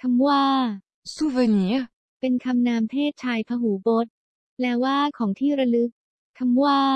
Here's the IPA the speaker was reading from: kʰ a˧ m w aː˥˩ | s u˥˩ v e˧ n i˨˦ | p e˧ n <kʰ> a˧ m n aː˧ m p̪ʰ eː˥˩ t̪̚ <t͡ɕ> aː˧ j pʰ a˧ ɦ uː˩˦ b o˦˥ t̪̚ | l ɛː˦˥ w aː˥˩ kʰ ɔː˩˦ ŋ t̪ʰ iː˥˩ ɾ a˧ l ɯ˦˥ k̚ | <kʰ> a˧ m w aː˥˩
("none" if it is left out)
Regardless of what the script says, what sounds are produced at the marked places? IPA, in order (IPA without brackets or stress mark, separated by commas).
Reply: kʰ, t͡ɕʰ, kʰ